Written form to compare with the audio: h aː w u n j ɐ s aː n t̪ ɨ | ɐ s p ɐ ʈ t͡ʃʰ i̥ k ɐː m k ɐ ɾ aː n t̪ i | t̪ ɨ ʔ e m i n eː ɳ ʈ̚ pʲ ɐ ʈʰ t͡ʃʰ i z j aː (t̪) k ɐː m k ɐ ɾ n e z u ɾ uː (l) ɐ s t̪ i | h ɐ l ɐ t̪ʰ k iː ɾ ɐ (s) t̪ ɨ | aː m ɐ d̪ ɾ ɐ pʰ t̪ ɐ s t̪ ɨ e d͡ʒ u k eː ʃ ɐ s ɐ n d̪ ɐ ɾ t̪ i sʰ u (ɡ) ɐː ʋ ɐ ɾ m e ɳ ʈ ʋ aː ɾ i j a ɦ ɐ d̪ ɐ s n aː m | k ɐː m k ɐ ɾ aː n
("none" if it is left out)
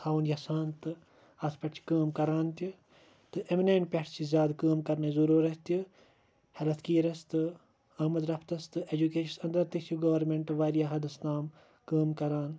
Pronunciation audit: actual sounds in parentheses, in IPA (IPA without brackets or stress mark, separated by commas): d̪, ɾ, s, ɡ